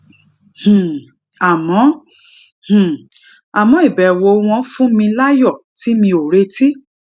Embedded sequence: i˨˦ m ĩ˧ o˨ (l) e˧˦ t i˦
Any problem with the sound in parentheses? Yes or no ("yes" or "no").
yes